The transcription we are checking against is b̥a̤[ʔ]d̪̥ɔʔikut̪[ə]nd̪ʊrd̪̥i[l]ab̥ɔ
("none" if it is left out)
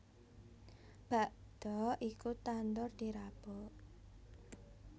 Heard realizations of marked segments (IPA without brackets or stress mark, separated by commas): ʔ, a, ɾ